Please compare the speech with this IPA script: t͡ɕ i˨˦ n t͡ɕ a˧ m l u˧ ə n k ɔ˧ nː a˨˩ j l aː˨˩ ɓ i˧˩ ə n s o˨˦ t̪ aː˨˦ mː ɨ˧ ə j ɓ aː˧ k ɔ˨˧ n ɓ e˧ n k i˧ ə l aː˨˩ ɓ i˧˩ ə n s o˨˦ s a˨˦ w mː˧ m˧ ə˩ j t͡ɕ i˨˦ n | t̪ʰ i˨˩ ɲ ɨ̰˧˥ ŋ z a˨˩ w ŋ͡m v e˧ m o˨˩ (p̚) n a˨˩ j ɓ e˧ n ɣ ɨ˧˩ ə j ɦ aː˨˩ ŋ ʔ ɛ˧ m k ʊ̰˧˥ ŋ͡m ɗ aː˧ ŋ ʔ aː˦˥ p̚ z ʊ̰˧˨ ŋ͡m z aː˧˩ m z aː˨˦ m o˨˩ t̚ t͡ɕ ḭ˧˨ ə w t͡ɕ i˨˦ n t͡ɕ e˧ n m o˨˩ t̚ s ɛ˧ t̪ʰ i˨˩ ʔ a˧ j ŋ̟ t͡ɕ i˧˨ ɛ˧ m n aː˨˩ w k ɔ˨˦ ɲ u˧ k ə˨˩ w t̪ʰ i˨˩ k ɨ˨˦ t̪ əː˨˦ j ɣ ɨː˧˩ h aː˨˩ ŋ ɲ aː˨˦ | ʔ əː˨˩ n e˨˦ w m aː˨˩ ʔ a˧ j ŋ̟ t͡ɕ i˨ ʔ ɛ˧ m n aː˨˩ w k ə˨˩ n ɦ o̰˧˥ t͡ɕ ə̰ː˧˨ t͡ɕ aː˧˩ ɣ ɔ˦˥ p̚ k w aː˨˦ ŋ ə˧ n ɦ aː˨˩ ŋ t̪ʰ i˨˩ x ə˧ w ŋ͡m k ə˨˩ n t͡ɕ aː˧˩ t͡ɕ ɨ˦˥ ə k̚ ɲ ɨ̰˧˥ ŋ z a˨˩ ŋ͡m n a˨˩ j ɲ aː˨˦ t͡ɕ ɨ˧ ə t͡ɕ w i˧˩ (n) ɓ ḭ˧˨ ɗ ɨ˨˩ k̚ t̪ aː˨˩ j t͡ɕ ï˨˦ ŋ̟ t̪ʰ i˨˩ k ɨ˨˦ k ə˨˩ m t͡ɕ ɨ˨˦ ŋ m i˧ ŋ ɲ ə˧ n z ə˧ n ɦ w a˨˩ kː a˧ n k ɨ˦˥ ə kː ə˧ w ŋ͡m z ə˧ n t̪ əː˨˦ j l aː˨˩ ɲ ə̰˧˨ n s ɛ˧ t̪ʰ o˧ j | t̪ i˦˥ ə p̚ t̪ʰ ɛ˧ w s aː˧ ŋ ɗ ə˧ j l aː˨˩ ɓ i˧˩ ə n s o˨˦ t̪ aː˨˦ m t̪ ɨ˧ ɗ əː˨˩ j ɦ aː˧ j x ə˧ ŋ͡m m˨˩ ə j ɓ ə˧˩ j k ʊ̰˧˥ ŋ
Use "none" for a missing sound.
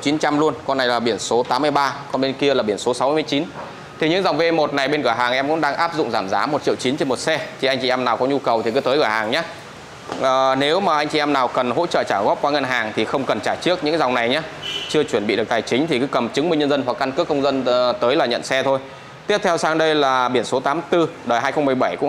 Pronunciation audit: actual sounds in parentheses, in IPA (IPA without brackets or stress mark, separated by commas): t̚, n